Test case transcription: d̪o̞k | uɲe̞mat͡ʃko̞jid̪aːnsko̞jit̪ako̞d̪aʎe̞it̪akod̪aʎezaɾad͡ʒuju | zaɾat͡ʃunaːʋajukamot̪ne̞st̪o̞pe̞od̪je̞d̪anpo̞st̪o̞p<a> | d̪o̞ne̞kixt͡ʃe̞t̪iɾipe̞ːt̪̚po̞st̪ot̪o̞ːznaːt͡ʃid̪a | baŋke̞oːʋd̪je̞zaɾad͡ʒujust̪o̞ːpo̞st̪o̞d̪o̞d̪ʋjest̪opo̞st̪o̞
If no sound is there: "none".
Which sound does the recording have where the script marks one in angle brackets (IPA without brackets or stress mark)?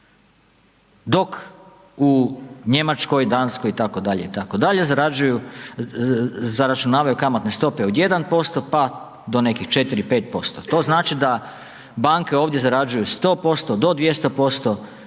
a